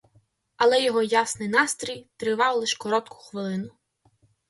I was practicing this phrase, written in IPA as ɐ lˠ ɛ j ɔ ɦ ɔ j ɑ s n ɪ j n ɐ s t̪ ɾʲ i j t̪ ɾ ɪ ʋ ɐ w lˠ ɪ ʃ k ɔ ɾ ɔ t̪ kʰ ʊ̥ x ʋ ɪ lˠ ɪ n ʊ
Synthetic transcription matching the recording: ɐ lˠ ɛ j ɔ ɦ ɔ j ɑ s n ɪ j n ɑ s t̪ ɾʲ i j t̪ ɾ ɪ ʋ ɑ w lˠ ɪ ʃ k ɔ ɾ ɔ t̪ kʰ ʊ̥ x ʋ ɪ lˠ ɪ n ʊ